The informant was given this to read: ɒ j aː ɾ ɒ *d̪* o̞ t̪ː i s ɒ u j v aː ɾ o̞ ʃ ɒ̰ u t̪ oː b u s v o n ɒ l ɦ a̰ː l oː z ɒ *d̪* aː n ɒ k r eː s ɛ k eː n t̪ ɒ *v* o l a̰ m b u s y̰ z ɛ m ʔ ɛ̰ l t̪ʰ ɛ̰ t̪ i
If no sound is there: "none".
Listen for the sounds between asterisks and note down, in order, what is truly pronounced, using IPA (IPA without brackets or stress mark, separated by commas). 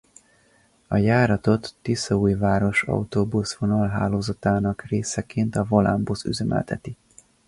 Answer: t̪, t̪, v